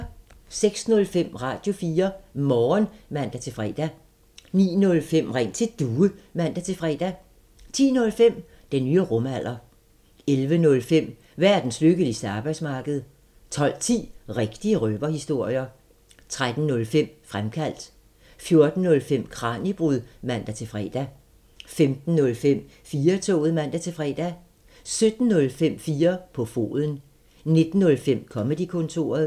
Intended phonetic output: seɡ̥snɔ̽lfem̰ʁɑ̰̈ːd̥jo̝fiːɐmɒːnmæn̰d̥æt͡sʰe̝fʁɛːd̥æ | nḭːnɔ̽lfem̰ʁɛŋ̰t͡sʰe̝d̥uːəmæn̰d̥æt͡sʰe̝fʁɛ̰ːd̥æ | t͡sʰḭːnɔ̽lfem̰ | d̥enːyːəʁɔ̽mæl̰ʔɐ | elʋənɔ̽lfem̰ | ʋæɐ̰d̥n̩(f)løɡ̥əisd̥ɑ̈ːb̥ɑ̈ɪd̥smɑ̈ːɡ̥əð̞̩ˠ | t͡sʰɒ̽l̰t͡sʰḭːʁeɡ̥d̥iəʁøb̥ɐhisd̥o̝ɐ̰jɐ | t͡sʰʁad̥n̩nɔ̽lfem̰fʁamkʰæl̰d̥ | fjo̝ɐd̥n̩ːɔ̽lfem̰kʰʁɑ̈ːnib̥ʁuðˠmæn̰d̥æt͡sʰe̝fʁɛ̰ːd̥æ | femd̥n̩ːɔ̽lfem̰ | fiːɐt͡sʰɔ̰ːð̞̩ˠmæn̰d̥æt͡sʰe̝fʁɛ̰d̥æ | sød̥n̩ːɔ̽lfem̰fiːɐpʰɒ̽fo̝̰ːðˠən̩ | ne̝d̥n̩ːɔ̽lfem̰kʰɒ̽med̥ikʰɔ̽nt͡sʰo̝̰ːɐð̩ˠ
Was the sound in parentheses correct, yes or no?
no